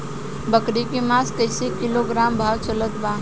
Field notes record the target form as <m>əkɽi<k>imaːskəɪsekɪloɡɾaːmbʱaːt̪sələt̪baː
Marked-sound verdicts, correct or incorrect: incorrect, correct

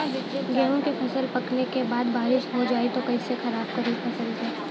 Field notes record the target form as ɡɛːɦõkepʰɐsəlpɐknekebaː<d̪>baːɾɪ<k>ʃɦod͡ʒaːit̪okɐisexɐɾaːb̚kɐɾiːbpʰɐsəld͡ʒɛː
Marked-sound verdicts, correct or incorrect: correct, incorrect

